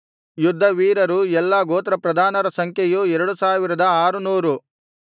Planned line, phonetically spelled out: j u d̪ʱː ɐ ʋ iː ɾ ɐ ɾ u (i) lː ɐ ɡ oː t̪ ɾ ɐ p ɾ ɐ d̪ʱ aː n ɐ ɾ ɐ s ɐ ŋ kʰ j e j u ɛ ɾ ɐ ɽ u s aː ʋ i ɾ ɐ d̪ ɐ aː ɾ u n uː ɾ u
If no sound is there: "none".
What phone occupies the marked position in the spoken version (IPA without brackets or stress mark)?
ɛ